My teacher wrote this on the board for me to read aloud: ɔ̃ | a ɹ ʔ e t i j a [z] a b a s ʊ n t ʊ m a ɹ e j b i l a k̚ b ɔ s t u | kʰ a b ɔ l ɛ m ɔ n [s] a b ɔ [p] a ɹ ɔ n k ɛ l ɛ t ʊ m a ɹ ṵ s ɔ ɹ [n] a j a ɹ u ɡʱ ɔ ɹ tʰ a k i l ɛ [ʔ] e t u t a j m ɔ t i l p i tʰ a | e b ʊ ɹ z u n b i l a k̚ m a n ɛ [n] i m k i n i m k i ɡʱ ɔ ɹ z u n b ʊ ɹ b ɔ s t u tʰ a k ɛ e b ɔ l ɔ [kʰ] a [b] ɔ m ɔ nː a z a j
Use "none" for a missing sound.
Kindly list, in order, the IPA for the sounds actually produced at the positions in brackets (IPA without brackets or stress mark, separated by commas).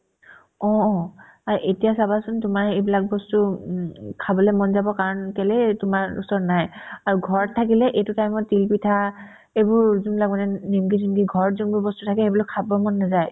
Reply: s, z, k, n, ʔ, n, kʰ, b